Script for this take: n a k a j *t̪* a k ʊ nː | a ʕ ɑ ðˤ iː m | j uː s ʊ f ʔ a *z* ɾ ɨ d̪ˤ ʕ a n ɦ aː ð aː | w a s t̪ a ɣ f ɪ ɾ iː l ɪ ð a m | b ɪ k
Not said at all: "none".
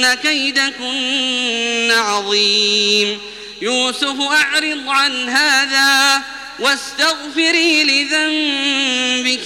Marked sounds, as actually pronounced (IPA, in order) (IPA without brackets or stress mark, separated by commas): d̪, ʕ